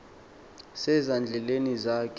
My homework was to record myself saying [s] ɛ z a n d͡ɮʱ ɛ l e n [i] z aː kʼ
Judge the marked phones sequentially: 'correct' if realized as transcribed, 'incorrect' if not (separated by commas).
correct, correct